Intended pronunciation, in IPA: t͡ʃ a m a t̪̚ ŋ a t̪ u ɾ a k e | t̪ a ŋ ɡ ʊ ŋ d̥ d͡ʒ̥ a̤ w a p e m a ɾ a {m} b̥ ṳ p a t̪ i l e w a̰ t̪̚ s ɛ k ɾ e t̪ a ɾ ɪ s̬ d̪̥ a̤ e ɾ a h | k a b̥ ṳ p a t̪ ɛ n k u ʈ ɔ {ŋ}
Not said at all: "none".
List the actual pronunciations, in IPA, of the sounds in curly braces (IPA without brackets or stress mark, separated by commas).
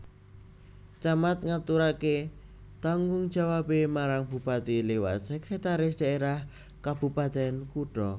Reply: ŋ, none